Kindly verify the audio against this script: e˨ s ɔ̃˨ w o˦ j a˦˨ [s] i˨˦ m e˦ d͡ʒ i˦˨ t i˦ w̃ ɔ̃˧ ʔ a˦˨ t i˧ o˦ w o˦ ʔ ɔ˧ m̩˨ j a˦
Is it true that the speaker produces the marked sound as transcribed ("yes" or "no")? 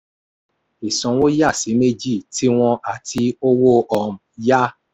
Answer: yes